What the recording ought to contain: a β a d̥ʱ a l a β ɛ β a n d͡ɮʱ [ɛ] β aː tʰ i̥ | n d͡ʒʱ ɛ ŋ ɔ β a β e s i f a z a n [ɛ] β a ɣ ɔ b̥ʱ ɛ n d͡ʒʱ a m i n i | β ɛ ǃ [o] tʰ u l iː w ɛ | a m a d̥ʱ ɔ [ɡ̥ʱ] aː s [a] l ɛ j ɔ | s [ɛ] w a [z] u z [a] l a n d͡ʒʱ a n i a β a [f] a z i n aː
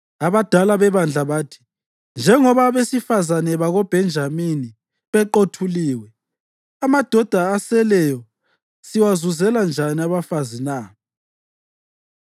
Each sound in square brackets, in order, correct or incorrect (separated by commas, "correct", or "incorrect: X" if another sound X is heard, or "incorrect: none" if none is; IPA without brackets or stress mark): incorrect: a, correct, correct, incorrect: d̥ʱ, incorrect: ɛ, incorrect: i, correct, incorrect: ɛ, correct